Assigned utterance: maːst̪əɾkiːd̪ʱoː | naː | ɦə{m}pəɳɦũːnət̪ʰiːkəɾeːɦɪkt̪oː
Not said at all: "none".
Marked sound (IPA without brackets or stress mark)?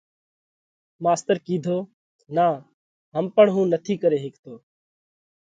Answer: m